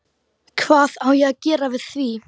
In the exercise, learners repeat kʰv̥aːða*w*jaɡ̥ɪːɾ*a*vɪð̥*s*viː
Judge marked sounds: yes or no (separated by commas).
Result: yes, yes, no